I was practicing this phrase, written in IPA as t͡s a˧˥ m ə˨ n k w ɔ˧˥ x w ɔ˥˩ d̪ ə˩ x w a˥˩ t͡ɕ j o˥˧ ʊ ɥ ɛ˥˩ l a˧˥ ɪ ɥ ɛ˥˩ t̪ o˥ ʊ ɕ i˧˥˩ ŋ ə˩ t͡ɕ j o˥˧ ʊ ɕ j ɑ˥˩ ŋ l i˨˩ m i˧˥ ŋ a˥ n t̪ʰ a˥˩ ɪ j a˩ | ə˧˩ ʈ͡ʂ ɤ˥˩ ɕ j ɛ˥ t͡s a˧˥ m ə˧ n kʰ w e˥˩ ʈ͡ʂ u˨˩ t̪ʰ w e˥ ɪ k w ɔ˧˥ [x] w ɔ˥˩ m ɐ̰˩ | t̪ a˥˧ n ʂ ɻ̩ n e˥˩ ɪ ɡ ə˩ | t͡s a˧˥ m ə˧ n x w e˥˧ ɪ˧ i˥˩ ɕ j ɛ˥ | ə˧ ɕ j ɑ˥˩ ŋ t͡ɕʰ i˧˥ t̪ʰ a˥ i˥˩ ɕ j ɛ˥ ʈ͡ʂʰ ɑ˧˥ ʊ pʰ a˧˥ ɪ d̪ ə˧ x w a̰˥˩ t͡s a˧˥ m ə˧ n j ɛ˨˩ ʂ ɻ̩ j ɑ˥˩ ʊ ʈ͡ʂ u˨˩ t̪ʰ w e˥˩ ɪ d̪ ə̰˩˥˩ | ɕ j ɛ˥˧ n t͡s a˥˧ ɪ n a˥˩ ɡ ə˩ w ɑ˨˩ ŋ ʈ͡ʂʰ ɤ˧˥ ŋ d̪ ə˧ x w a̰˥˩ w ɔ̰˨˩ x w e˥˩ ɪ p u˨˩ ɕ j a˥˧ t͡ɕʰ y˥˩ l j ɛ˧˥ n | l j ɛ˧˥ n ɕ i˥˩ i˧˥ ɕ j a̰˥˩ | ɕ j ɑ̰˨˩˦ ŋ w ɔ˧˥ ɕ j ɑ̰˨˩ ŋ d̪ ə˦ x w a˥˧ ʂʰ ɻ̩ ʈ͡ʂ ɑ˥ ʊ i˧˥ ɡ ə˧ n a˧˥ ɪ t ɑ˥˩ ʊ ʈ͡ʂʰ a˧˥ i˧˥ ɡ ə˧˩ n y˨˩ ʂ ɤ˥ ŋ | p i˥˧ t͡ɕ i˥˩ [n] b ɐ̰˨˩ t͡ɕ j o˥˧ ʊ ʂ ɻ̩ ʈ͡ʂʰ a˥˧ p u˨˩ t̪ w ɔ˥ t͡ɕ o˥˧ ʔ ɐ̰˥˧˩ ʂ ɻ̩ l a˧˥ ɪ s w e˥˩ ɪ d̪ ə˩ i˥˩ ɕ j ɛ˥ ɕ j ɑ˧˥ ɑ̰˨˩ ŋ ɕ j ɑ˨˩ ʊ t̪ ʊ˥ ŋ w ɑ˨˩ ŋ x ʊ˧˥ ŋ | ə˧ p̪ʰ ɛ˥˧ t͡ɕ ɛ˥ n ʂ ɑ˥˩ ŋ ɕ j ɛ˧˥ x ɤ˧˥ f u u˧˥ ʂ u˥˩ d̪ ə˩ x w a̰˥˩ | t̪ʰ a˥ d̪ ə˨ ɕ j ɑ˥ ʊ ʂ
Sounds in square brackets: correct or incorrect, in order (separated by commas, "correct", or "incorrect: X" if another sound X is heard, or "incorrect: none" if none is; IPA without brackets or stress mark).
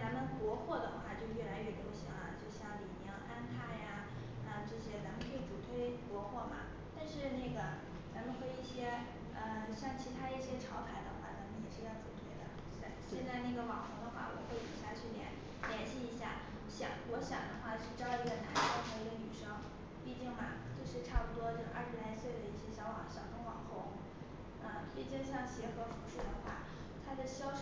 correct, incorrect: ŋ